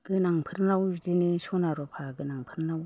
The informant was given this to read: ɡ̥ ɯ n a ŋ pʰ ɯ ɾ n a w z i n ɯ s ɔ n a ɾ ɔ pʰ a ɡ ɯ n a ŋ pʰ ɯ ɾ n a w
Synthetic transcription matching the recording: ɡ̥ ɯ n a ŋ pʰ ɯ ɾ n a w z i n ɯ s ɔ n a ɾ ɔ pʰ a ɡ ɯ n a ŋ pʰ ɯ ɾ n a w